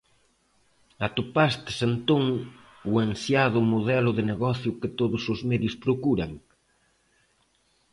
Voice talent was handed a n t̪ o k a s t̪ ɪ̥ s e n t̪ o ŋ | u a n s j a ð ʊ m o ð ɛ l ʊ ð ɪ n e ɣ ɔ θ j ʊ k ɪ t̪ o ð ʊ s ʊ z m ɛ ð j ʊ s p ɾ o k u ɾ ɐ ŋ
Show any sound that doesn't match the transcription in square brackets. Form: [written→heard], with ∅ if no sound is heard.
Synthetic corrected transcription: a [n→∅] t̪ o [k→p] a s t̪ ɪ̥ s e n t̪ o ŋ | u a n s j a ð ʊ m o ð ɛ l ʊ ð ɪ n e ɣ ɔ θ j ʊ k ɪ t̪ o ð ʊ s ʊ z m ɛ ð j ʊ s p ɾ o k u ɾ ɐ ŋ